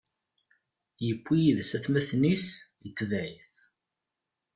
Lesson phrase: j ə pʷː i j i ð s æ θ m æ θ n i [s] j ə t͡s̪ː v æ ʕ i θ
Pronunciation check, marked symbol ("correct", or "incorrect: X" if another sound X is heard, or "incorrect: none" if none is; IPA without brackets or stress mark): correct